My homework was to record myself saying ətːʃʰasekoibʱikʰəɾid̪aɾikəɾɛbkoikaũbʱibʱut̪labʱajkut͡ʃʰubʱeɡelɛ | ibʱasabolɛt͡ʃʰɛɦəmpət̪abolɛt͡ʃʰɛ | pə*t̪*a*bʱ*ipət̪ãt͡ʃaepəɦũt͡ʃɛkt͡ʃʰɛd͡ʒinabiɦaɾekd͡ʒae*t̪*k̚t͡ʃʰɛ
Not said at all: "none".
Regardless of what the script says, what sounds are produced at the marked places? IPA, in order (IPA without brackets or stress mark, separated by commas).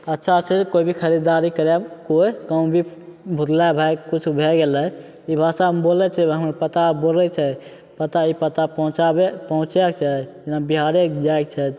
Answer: t̪, none, none